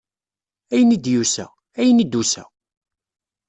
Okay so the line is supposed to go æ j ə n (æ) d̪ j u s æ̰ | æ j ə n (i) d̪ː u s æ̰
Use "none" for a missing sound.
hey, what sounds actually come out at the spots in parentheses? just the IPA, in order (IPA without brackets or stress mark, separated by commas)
i, i